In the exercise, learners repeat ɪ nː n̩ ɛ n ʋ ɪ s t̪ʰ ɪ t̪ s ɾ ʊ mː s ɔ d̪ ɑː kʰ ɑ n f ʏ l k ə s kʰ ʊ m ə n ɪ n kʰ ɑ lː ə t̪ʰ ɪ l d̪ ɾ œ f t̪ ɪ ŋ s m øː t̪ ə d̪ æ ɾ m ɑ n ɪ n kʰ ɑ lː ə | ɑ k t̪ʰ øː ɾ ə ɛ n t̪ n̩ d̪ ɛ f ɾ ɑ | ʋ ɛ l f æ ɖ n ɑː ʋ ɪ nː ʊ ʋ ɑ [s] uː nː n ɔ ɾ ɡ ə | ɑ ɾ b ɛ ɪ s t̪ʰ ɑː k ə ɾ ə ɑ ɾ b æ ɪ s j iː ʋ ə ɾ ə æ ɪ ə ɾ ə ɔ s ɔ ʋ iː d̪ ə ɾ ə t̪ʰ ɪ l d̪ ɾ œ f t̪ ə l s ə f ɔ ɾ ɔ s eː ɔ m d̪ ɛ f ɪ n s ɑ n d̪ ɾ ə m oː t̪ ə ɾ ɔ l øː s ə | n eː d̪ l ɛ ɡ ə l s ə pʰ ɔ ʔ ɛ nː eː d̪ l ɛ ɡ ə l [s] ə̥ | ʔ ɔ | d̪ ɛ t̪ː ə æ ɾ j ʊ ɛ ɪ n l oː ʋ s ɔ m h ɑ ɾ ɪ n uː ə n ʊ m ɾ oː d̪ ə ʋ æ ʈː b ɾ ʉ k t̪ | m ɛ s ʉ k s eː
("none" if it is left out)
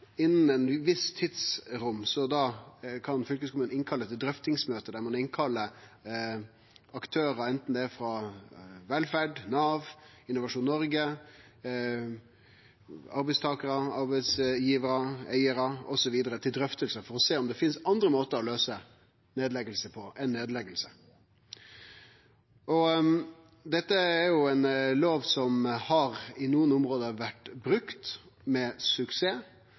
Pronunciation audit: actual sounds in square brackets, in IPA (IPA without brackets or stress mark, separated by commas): ʂ, s